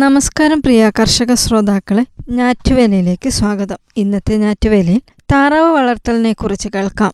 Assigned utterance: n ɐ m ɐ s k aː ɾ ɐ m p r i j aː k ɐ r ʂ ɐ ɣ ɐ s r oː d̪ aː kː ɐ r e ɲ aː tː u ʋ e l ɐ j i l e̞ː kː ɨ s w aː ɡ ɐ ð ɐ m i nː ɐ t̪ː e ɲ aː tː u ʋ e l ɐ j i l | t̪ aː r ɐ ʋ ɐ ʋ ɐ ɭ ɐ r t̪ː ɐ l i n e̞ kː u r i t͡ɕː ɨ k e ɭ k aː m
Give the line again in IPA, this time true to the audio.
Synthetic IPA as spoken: n ɐ m ɐ s k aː ɾ ɐ m p r i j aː k ɐ r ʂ ɐ ɣ ɐ s r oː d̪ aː kː ɐ ɭ e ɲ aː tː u ʋ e l ɐ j i l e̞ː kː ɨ s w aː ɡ ɐ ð ɐ m i nː ɐ t̪ː e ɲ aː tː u ʋ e l ɐ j i l | t̪ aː r ɐ ʋ ɐ ʋ ɐ ɭ ɐ r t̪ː ɐ l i n e̞ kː u r i t͡ɕː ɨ k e ɭ k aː m